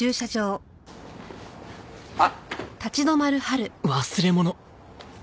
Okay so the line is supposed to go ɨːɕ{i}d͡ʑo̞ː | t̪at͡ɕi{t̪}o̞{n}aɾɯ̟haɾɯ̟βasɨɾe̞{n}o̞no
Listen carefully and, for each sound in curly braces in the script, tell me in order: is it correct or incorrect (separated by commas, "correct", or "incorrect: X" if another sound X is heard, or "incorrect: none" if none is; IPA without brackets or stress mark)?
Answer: incorrect: a, incorrect: d̪, incorrect: m, incorrect: m